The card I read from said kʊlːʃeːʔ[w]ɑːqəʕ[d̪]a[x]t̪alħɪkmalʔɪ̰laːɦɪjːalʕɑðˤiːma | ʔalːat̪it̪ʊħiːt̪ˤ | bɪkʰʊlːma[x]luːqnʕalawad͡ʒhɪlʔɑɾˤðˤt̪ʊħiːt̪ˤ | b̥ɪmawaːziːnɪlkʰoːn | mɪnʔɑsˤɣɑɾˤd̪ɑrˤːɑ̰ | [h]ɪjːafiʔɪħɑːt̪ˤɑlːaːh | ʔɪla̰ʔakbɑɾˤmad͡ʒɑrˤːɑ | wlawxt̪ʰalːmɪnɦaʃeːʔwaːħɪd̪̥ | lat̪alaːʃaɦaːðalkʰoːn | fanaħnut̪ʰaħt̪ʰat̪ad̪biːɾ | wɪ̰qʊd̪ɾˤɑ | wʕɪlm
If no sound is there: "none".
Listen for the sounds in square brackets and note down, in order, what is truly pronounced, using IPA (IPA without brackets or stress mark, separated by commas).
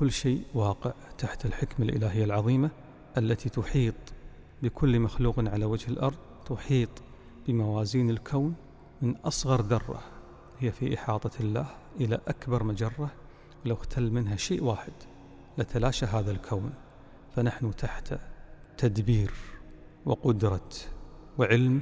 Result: w, t̪, ħ, x, h